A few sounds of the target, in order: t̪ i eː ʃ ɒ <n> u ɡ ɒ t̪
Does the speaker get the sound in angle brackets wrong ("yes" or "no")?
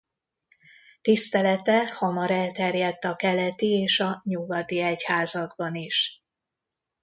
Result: yes